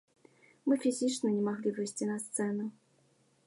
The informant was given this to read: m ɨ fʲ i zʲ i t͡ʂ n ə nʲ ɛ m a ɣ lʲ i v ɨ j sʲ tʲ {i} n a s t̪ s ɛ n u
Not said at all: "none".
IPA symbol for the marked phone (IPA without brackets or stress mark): i